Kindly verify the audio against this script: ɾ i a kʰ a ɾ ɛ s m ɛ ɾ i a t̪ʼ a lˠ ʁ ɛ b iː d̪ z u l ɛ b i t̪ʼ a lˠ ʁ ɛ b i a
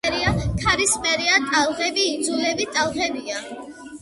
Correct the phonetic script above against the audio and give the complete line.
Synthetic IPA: ɾ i a kʰ a ɾ i s m ɛ ɾ i a t̪ʼ a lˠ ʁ ɛ b iː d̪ z u l ɛ b i t̪ʼ a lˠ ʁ ɛ b i a